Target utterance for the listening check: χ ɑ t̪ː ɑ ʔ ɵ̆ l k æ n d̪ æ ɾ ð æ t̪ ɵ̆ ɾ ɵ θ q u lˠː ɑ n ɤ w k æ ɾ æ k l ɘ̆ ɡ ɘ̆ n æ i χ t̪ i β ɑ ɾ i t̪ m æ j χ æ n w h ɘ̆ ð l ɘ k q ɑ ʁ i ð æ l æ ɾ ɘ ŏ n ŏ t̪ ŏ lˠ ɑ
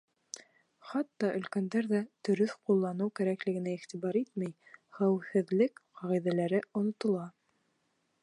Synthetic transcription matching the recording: χ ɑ t̪ː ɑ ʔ ɵ̆ l k æ n d̪ æ ɾ ð æ t̪ ɵ̆ ɾ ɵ θ q u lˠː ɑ n ɤ w k æ ɾ æ k l ɘ̆ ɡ ɘ̆ n æ i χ t̪ i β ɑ ɾ i t̪ m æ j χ æ w h ɘ̆ ð l ɘ k q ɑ ʁ i ð æ l æ ɾ ɘ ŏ n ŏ t̪ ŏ lˠ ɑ

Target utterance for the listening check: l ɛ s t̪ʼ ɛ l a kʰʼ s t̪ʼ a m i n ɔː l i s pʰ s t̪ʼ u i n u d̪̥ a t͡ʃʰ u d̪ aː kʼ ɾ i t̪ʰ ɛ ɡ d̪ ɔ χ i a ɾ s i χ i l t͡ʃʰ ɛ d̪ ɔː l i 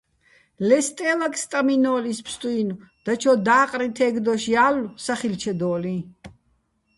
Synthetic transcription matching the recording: l ɛ s t̪ʼ ɛ l a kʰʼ s t̪ʼ a m i n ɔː l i s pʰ s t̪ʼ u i n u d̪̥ a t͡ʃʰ ɔ d̪ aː qʼ ɾ i t̪ʰ ɛ ɡ d̪ ɔ ʃ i a l s a χ i l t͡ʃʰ ɛ d̪ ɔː l i

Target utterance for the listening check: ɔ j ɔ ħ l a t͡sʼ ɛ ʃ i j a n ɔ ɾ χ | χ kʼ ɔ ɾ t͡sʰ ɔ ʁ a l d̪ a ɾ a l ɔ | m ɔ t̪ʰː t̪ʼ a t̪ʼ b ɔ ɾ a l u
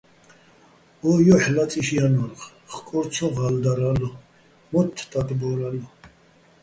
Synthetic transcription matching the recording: ɔ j ɔ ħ l a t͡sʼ i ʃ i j a n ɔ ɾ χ | χ kʼ ɔ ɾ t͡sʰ ɔ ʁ a l d̪ a ɾ a l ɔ | m ɔ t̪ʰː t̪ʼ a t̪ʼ b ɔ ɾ a l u

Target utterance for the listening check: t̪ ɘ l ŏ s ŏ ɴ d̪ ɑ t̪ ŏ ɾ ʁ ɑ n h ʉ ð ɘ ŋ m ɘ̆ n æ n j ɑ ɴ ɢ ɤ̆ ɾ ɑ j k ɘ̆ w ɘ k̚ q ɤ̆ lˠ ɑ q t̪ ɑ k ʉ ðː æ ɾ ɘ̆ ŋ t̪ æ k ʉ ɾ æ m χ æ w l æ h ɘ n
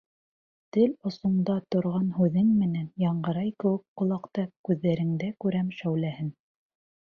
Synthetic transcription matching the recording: t̪ ɘ l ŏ s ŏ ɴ d̪ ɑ t̪ ŏ ɾ ʁ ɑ n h ʉ ð ɘ ŋ m ɘ̆ n æ n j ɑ ɴ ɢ ɤ̆ ɾ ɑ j k ɘ̆ w ɘ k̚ q ŏ lˠ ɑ q t̪ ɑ k ʉ ðː æ ɾ ɘ̆ ŋ d̪ æ k ʉ ɾ æ m ʃ æ w l æ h ɘ n

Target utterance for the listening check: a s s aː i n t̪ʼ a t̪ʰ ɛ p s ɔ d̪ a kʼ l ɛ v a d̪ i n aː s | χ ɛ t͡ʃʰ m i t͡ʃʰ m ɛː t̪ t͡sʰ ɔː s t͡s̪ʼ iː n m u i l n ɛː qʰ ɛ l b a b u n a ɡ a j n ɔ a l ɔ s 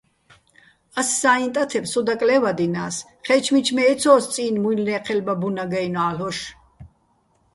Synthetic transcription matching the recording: a s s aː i n t̪ʼ a t̪ʰ ɛ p s ɔ d̪ a kʼ l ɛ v a d̪ i n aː s | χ ɛ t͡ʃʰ m i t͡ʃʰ m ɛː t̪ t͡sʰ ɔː s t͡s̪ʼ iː n m u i l n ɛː qʰ ɛ l b a b u n a ɡ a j n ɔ a l ɔ ʃ

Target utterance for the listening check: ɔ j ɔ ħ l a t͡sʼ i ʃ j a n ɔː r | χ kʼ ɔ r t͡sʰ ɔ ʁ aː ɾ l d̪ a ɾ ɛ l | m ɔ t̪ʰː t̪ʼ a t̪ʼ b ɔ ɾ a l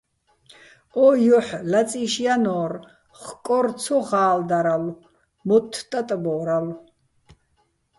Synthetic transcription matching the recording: ɔ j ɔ ħ l a t͡sʼ i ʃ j a n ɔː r | χ kʼ ɔ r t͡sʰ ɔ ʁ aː l d̪ a ɾ a l | m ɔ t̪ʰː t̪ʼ a t̪ʼ b ɔ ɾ a l

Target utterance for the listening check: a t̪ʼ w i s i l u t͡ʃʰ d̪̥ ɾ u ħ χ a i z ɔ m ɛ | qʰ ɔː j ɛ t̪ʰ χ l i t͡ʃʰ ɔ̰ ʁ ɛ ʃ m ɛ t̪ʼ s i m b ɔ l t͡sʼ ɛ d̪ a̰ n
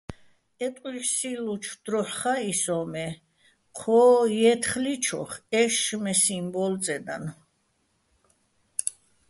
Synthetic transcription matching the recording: ɛ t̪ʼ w i s i l u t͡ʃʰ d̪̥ ɾ ɔ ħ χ a i s ɔ m ɛ | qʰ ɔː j ɛ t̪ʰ χ l i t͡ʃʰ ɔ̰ χ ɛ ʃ m ɛ s i m b ɔ l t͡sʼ ɛ d̪ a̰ n

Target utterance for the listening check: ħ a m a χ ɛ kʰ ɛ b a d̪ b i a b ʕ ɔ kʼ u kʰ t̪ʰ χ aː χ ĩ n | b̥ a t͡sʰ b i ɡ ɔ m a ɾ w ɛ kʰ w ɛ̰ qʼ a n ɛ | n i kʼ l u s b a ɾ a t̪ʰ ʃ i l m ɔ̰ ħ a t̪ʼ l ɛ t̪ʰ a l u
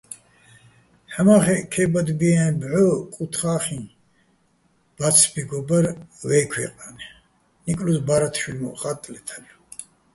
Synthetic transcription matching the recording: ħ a m a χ ɛ kʰ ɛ b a d̪ b i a b ʕ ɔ kʼ u t̪ʰ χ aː χ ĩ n | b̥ a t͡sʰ b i ɡ ɔ b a ɾ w ɛ kʰ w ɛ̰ qʼ a n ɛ | n i kʼ l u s b a ɾ a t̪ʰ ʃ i l m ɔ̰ χ a t̪ʼ l ɛ t̪ʰ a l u

